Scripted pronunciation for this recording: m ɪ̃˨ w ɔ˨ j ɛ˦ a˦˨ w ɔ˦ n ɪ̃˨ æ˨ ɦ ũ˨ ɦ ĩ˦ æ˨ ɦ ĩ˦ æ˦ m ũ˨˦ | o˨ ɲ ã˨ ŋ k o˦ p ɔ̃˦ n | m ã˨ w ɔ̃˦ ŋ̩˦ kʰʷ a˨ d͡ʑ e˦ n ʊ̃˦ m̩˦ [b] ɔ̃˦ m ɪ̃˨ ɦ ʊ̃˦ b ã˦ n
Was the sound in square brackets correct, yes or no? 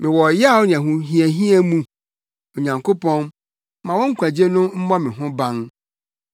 no